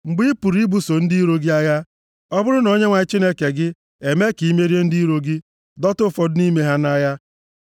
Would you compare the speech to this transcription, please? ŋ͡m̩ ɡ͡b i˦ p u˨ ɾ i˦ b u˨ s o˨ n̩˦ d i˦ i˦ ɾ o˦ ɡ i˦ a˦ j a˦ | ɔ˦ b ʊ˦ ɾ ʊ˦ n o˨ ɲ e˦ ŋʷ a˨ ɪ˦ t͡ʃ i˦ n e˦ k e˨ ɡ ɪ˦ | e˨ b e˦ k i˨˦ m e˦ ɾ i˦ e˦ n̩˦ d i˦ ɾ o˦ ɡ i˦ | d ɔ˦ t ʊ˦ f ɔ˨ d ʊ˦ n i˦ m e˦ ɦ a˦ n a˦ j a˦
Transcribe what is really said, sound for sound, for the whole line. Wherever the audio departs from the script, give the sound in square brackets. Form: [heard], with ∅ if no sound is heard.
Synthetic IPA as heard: ŋ͡m̩ ɡ͡b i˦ p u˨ ɾ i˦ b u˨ s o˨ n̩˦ d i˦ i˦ ɾ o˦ ɡ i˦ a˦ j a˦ | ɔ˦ b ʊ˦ ɾ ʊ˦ n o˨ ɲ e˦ ŋʷ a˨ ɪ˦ t͡ʃ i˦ n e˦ k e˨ ɡ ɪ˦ | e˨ [m] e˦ k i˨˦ m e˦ ɾ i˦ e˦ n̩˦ d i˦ ɾ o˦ ɡ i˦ | d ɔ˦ t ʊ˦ f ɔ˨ d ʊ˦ n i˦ m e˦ ɦ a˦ n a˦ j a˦

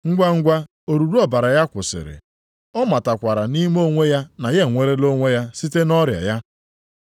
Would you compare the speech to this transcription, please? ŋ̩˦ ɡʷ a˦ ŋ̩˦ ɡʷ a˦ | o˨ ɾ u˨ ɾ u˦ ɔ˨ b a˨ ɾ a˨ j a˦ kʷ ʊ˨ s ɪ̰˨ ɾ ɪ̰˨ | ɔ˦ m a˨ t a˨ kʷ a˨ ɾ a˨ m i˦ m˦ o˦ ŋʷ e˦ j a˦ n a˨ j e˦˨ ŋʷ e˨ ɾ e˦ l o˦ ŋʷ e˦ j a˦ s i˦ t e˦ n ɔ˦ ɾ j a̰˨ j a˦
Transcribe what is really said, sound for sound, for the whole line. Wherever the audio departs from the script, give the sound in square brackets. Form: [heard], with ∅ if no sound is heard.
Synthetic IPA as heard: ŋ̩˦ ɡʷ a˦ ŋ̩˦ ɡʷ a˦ | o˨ ɾ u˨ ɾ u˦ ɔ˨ b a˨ ɾ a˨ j a˦ kʷ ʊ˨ s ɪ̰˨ ɾ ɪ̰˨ | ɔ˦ m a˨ t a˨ kʷ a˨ ɾ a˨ [n] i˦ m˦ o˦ ŋʷ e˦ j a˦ n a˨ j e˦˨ ŋʷ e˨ ɾ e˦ l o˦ ŋʷ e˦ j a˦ s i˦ t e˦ n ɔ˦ ɾ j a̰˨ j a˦

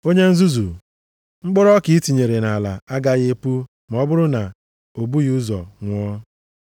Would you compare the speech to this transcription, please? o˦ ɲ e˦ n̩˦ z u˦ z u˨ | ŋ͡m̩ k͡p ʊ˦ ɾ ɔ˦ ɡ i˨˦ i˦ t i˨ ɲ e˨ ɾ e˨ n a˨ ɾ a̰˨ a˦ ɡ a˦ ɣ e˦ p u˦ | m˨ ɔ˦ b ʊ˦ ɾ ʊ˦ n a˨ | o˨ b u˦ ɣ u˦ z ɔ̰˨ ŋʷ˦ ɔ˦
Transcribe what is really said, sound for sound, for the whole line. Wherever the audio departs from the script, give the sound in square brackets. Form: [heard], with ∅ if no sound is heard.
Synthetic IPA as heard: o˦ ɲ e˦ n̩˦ z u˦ z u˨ | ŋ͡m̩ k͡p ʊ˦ ɾ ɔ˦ [k] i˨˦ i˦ t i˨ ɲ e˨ ɾ e˨ n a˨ [l] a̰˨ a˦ ɡ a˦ ɣ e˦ p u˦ | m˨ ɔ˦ b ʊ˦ ɾ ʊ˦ n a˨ | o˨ b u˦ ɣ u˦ z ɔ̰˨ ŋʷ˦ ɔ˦

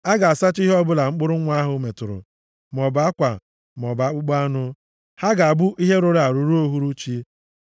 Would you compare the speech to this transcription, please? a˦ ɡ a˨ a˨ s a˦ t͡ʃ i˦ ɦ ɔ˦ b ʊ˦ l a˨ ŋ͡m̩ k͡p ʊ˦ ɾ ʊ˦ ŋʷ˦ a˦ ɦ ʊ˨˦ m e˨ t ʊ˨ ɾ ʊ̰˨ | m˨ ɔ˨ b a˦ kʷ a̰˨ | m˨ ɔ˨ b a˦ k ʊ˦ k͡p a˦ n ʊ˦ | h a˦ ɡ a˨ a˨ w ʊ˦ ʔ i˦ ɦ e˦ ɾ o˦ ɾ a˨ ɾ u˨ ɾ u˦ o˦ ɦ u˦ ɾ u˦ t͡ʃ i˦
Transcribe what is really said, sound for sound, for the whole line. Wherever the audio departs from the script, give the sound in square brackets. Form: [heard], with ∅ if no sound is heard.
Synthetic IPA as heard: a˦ ɡ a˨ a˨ s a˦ t͡ʃ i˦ ɦ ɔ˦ b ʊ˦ l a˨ ŋ͡m̩ k͡p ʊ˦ ɾ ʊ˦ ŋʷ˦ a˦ ɦ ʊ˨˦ m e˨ t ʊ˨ ɾ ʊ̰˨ | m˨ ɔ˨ b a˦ kʷ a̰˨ | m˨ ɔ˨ b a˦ [k͡p] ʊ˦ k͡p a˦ n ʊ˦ | h a˦ ɡ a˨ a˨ [b] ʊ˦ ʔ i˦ ɦ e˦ ɾ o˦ ɾ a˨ ɾ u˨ ɾ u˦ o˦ ɦ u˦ ɾ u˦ t͡ʃ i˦

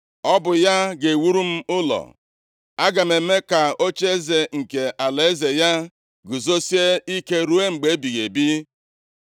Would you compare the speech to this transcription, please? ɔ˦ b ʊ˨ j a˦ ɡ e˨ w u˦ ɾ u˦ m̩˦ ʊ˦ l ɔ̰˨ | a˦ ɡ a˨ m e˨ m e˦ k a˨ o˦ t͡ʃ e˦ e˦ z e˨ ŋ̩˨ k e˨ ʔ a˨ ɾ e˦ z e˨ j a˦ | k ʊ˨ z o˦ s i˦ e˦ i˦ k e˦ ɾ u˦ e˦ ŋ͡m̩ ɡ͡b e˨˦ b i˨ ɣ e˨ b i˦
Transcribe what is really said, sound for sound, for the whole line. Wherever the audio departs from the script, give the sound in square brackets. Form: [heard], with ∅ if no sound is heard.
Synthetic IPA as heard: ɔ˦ b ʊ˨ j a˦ ɡ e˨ w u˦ ɾ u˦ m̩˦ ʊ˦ l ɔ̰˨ | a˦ ɡ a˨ m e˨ m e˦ k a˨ o˦ t͡ʃ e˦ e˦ z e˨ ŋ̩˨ k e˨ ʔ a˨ [l] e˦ z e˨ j a˦ | [ɡ] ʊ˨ z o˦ s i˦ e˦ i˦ k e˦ ɾ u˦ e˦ ŋ͡m̩ ɡ͡b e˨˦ b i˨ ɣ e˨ b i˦

